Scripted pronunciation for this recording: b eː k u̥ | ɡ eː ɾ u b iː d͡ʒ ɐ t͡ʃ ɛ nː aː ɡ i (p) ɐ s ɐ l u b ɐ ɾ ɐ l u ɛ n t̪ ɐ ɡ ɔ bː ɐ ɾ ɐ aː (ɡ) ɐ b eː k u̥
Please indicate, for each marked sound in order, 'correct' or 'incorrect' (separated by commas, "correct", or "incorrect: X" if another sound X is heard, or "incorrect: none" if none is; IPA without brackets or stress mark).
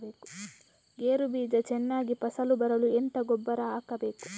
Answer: correct, incorrect: k